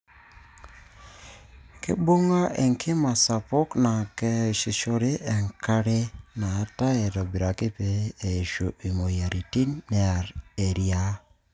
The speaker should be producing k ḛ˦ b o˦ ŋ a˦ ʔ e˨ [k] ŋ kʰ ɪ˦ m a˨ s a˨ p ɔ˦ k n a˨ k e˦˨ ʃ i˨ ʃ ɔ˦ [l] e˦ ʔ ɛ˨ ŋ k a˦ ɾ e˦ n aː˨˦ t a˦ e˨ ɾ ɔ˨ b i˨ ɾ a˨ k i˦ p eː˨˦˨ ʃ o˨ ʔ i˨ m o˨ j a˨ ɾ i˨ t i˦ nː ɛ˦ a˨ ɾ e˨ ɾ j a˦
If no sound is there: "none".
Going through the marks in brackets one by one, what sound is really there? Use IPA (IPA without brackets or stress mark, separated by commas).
none, ɾ